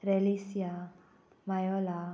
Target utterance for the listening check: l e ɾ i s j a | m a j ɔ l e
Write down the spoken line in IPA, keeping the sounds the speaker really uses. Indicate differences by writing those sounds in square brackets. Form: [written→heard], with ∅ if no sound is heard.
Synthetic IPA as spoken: [l→ɾ] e [ɾ→l] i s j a | m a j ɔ l [e→a]

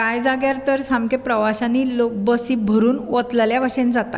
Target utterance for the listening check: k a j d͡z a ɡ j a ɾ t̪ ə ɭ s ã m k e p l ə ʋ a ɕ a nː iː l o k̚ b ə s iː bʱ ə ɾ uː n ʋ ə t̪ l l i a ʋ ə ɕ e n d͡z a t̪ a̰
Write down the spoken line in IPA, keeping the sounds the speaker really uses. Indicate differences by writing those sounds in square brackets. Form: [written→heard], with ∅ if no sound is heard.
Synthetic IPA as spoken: k a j d͡z a ɡ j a ɾ t̪ ə [ɭ→ɾ] s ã m k e p [l→ɾ] ə ʋ a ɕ a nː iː l o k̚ b ə s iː bʱ ə ɾ uː n ʋ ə t̪ l l [i→j] a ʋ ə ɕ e n d͡z a t̪ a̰

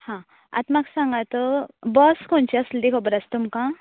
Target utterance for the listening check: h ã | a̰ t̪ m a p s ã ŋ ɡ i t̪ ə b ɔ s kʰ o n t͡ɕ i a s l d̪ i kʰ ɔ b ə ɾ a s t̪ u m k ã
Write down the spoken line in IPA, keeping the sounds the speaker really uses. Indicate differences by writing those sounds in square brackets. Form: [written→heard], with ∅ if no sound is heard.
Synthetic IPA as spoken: h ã | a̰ t̪ m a [p→k] s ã ŋ ɡ [i→a] t̪ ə b ɔ s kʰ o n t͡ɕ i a s l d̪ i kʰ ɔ b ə ɾ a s t̪ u m k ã

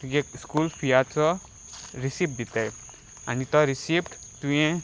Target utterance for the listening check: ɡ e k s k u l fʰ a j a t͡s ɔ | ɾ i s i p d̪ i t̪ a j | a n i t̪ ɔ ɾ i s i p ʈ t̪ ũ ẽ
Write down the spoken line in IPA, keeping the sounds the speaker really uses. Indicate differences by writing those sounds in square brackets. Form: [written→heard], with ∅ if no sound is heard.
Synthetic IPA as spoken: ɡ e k s k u l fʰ [a→i] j a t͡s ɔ | ɾ i s i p d̪ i t̪ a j | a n i t̪ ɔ ɾ i s i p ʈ t̪ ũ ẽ

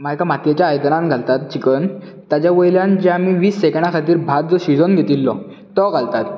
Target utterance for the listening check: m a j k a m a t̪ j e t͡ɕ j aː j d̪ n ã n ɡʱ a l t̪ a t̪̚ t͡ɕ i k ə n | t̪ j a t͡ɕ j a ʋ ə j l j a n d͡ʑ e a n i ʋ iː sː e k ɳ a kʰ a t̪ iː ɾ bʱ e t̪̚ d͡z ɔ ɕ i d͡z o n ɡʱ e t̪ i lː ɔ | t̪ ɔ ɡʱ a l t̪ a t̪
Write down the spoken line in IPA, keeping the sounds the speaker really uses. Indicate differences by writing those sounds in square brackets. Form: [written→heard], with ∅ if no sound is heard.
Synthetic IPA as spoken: m a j k a m a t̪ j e t͡ɕ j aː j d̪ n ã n ɡʱ a l t̪ a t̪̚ t͡ɕ i k ə n | t̪ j a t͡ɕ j a ʋ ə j l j a n d͡ʑ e a [n→m] i ʋ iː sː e k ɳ a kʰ a t̪ iː ɾ bʱ [e→a] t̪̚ d͡z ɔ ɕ i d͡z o n ɡʱ e t̪ i lː ɔ | t̪ ɔ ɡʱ a l t̪ a t̪

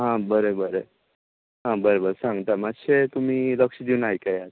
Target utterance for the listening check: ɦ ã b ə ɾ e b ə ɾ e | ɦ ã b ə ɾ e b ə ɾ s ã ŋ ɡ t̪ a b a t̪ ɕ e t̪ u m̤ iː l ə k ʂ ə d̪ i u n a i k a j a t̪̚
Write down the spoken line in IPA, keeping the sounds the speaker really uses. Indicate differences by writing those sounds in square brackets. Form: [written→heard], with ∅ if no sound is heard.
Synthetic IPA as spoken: ɦ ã b ə ɾ e b ə ɾ e | ɦ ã b ə ɾ e b ə ɾ s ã ŋ ɡ t̪ a [b→m] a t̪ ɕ e t̪ u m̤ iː l ə k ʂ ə d̪ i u n a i k a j a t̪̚

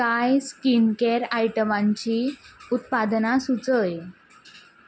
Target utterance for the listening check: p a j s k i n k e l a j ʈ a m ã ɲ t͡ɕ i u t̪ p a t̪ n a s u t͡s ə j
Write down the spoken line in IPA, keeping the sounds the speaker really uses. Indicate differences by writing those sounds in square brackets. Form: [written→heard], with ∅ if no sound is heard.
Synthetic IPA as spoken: [p→k] a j s k i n k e [l→ɾ] a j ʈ [a→ə] m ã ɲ t͡ɕ i u t̪ p a [t̪→d̪] n a s u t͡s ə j

